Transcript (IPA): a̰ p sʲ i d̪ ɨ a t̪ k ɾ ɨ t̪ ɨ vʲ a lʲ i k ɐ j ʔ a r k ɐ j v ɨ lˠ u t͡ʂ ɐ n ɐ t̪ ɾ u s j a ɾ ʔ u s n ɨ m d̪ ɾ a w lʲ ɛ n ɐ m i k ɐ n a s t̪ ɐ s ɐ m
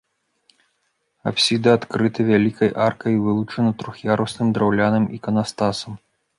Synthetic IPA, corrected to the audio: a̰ p sʲ i d̪ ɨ a t̪ k ɾ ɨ t̪ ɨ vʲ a lʲ i k ɐ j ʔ a r k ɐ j v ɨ lˠ u t͡ʂ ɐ n ɐ t̪ ɾ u x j a ɾ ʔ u s n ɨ m d̪ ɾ a w lʲ a n ɐ m i k ɐ n a s t̪ a s ɐ m